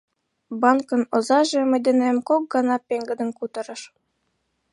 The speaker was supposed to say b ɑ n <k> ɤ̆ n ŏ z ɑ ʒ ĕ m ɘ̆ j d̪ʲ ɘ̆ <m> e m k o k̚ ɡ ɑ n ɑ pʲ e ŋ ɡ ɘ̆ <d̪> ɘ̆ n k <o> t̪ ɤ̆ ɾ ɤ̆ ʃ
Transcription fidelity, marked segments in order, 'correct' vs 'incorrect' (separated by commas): correct, incorrect, correct, incorrect